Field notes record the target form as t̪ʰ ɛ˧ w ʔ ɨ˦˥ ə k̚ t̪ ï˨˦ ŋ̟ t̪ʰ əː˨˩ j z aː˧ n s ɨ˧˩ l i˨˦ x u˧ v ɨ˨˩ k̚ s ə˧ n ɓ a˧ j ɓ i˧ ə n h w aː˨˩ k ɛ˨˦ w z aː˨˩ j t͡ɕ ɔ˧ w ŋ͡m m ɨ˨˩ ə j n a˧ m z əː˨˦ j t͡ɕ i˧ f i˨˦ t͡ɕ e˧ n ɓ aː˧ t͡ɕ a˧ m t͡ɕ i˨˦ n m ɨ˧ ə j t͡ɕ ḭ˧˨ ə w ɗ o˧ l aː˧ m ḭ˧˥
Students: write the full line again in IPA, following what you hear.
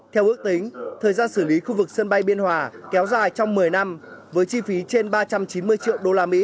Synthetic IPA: t̪ʰ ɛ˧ w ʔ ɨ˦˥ ə k̚ t̪ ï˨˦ ŋ̟ t̪ʰ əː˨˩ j z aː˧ n s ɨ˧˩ l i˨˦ x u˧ v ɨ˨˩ k̚ s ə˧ n ɓ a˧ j ɓ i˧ ə n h w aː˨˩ k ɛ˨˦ w z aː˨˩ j t͡ɕ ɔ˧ w ŋ͡m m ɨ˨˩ ə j n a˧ m v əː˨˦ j t͡ɕ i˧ f i˨˦ t͡ɕ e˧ n ɓ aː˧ t͡ɕ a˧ m t͡ɕ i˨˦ n m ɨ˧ ə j t͡ɕ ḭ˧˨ ə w ɗ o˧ l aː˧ m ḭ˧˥

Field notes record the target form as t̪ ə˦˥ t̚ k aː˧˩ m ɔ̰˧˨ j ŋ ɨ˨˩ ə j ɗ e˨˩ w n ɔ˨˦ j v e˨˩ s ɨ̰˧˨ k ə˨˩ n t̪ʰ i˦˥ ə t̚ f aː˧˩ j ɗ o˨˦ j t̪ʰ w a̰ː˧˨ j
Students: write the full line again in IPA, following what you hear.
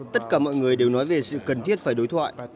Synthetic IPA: t̪ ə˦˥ t̚ k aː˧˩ m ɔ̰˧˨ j ŋ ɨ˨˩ ə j ɗ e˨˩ w n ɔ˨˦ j v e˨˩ s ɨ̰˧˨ k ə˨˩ n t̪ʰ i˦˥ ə t̚ f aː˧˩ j ɗ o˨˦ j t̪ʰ w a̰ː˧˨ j

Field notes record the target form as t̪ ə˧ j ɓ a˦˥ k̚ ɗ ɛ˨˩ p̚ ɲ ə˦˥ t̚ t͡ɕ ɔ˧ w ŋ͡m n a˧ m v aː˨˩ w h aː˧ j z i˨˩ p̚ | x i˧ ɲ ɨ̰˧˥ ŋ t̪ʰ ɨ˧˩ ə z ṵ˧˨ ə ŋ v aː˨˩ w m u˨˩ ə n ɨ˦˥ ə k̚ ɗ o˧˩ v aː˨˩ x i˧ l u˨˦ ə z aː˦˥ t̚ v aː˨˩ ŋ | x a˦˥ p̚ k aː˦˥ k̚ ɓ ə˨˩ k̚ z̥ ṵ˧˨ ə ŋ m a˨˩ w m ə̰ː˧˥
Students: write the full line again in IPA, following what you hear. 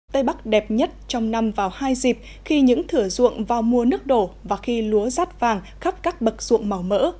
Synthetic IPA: t̪ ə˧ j ɓ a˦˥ k̚ ɗ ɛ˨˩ p̚ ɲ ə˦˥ t̚ t͡ɕ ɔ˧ w ŋ͡m n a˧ m v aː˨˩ w h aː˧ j z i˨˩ p̚ | x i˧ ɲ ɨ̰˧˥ ŋ t̪ʰ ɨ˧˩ ə z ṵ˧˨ ə ŋ v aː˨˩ w m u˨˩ ə n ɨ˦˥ ə k̚ ɗ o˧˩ v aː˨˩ x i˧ l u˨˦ ə z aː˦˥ t̚ v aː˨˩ ŋ | x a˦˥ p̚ k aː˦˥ k̚ ɓ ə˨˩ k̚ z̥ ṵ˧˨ ə ŋ m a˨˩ w m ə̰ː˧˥

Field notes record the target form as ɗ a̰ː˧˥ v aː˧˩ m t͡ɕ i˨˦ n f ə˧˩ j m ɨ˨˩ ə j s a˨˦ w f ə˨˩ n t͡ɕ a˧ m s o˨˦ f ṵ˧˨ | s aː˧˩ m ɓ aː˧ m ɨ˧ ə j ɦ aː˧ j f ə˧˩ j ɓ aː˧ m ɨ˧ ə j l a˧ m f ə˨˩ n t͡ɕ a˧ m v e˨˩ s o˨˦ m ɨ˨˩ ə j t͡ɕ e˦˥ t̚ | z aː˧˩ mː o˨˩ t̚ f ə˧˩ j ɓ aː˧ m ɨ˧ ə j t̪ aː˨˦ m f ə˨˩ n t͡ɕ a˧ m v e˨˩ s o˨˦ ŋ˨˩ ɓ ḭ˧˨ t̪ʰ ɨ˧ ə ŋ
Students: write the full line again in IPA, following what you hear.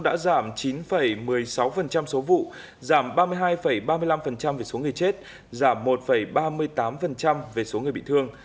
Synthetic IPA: ɗ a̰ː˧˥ z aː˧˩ m t͡ɕ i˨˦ n f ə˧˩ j m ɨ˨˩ ə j s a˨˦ w f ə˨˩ n t͡ɕ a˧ m s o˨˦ v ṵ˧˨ | z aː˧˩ m ɓ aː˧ m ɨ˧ ə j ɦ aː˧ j f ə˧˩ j ɓ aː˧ m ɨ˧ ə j l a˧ m f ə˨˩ n t͡ɕ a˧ m v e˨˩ s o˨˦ ŋ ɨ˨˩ ə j t͡ɕ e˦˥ t̚ | z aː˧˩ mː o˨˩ t̚ f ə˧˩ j ɓ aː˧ m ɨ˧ ə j t̪ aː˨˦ m f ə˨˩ n t͡ɕ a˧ m v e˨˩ s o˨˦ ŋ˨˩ ɓ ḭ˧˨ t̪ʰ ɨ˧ ə ŋ

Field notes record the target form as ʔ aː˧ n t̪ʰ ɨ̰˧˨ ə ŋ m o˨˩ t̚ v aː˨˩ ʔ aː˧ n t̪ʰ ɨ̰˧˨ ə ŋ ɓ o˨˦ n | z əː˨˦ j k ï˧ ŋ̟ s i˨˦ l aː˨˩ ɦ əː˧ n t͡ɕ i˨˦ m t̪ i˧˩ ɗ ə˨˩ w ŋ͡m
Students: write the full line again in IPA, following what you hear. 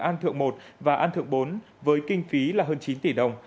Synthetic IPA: ʔ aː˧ n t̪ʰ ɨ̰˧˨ ə ŋ m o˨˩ t̚ v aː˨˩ ʔ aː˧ n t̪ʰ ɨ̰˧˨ ə ŋ ɓ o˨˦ n | v əː˨˦ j k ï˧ ŋ̟ f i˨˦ l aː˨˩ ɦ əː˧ n t͡ɕ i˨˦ n t̪ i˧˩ ɗ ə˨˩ w ŋ͡m

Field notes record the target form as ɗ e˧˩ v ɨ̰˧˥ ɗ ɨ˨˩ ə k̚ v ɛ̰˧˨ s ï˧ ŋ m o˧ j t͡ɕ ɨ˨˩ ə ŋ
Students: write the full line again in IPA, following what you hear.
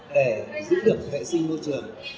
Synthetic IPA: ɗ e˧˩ z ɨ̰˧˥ ɗ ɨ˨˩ ə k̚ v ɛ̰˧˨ s ï˧ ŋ m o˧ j t͡ɕ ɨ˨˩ ə ŋ

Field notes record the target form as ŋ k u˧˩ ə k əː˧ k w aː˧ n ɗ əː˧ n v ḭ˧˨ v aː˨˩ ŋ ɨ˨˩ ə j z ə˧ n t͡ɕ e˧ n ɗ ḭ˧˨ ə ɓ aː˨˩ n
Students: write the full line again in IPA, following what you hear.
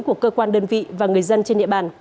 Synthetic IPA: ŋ k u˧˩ ə k əː˧ k w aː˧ n ɗ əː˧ n v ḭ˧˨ v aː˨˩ ŋ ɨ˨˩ ə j z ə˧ n t͡ɕ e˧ n ɗ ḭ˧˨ ə ɓ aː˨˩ n

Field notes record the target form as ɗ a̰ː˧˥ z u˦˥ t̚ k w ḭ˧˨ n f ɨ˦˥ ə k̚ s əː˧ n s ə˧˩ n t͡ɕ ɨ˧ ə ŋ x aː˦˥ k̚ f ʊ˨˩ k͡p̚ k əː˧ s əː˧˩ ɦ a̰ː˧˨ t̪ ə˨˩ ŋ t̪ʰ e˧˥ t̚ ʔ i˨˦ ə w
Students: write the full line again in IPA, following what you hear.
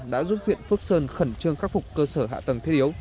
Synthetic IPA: ɗ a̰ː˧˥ z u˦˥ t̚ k w ḭ˧˨ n f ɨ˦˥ ə k̚ s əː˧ n x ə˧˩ n t͡ɕ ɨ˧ ə ŋ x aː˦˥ k̚ f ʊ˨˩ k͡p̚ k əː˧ s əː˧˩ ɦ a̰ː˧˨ t̪ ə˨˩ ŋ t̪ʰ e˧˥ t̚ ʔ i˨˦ ə w

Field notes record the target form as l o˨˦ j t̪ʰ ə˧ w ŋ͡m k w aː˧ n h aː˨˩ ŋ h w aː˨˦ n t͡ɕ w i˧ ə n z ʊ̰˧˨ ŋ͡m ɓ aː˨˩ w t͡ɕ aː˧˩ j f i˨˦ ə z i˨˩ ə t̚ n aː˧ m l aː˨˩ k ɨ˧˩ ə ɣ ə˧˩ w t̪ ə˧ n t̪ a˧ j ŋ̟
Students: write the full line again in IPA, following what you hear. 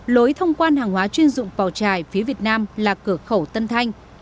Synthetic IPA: l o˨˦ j t̪ʰ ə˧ w ŋ͡m k w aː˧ n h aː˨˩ ŋ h w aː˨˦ t͡ɕ w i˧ ə n z ʊ̰˧˨ ŋ͡m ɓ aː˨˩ w t͡ɕ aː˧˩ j f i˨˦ ə v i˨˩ ə t̚ n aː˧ m l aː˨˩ k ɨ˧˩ ə x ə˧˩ w t̪ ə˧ n t̪ʰ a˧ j ŋ̟

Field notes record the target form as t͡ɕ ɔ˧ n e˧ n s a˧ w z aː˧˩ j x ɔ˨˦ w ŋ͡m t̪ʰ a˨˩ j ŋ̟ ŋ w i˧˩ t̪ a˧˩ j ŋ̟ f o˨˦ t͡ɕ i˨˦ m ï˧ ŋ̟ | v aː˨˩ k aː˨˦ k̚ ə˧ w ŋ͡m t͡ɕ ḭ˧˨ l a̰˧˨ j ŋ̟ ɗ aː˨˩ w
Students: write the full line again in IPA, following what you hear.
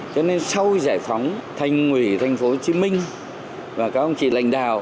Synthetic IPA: t͡ɕ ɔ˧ n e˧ n s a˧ w z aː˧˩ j f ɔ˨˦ w ŋ͡m t̪ʰ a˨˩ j ŋ̟ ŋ w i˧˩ t̪ʰ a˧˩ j ŋ̟ f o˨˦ t͡ɕ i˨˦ m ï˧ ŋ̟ | v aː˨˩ k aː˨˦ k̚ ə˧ w ŋ͡m t͡ɕ ḭ˧˨ l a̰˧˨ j ŋ̟ ɗ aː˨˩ w

